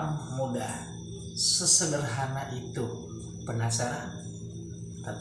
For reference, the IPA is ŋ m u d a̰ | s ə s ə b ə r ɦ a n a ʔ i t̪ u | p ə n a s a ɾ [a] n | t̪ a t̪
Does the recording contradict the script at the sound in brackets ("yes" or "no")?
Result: no